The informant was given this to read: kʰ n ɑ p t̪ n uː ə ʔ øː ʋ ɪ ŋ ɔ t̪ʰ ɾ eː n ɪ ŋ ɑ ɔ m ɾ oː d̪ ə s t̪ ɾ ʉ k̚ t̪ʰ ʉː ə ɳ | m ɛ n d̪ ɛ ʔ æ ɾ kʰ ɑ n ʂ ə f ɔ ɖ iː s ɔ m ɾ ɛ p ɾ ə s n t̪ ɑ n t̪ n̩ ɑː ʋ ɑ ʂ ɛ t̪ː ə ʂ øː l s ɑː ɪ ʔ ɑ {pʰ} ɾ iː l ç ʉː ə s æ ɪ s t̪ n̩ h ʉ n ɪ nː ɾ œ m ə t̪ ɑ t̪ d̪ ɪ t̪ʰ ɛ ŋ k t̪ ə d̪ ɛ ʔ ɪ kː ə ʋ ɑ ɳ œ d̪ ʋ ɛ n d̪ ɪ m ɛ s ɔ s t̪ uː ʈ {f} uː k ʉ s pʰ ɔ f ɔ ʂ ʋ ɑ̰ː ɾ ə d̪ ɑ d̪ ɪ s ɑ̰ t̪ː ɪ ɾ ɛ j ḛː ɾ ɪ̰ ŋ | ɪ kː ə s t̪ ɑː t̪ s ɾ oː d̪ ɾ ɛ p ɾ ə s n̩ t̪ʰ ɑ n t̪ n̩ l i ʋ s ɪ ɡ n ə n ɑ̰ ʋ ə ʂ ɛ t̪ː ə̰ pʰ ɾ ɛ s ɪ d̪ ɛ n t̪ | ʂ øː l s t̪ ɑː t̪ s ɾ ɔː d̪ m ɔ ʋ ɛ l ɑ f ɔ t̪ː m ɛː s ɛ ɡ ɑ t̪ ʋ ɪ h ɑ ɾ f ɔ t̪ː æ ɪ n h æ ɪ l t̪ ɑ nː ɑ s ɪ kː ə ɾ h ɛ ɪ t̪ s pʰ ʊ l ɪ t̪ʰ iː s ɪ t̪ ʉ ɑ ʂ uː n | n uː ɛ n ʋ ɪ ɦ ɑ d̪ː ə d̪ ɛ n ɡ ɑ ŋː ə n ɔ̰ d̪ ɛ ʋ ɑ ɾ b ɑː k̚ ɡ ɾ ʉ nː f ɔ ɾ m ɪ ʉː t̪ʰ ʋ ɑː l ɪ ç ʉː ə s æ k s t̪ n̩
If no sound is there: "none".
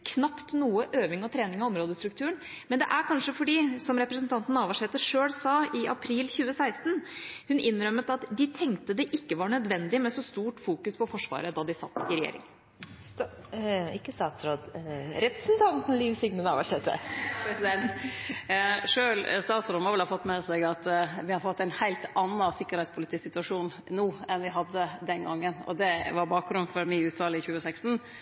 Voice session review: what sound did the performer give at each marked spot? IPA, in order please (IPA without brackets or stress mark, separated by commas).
pʰ, f